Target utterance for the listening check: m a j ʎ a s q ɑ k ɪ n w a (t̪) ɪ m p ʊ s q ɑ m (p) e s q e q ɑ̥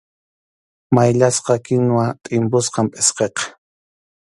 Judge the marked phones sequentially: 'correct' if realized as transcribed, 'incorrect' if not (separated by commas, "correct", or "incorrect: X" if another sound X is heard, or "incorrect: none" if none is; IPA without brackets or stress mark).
incorrect: t̪ʼ, incorrect: pʼ